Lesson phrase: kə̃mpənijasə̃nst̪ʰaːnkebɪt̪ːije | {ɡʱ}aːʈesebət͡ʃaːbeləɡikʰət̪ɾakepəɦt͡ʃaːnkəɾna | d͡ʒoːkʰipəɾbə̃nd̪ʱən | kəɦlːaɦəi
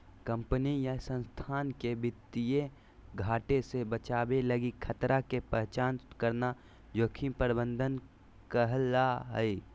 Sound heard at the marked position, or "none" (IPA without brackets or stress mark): ɡʱ